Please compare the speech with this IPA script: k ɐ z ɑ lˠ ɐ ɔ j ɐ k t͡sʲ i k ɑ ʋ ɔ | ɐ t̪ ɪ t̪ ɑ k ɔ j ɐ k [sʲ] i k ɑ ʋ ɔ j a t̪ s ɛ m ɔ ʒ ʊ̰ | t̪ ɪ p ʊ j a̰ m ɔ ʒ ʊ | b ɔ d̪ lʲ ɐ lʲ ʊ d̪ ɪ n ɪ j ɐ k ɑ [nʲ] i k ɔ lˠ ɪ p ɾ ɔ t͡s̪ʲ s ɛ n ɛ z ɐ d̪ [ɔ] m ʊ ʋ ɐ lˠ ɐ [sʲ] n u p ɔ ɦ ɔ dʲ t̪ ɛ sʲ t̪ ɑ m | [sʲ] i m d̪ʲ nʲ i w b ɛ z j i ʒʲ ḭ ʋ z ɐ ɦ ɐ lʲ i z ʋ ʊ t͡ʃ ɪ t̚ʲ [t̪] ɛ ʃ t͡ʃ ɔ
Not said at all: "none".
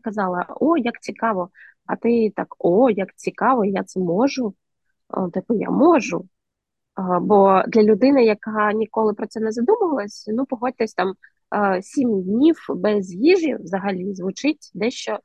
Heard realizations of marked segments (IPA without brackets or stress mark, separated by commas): t͡sʲ, nʲ, u, sʲ, sʲ, d̪